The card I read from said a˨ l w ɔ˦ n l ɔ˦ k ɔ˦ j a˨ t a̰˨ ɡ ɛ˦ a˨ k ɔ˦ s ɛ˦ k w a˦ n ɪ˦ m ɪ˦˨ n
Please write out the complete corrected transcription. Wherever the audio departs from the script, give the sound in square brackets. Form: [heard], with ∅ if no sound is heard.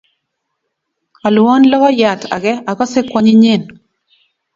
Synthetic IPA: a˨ l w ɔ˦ n l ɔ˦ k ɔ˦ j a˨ t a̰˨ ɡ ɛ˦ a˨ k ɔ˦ s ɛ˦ k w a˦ [ɲ] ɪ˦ [ɲ] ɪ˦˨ n